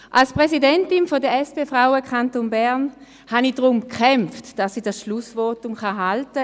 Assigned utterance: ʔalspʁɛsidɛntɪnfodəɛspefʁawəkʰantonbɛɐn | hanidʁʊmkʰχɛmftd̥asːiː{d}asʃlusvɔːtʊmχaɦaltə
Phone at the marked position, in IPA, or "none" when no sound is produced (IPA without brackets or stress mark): d